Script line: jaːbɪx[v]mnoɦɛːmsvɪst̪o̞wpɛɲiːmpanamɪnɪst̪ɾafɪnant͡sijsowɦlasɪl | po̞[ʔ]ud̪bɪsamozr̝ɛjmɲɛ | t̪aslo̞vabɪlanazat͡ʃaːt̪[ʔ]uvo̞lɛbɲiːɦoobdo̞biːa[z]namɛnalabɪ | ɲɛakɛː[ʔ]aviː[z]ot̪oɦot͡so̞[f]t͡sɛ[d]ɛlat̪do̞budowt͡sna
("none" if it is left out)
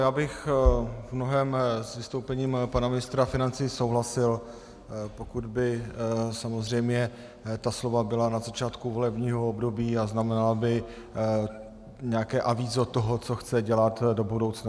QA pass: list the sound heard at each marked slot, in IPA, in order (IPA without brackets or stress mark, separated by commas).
v, k, k, z, ʔ, z, x, ɟ